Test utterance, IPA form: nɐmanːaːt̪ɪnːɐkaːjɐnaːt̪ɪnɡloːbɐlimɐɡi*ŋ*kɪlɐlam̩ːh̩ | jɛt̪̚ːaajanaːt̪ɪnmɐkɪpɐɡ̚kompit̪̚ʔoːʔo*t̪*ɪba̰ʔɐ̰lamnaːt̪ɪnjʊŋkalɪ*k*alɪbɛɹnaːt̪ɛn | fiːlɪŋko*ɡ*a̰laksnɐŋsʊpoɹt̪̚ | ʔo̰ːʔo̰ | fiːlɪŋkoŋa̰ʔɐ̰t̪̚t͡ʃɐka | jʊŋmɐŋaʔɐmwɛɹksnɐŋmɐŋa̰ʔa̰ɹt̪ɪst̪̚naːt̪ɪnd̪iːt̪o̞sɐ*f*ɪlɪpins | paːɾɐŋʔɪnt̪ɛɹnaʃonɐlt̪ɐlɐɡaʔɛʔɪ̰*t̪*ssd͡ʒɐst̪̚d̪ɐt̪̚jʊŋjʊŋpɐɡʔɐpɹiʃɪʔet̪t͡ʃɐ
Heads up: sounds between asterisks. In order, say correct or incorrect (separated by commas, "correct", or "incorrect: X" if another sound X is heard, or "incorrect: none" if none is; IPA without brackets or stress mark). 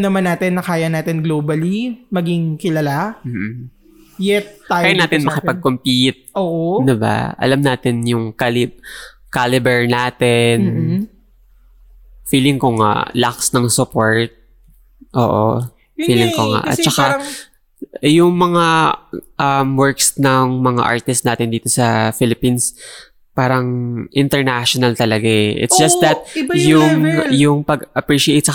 correct, incorrect: d̪, correct, incorrect: ŋ, correct, correct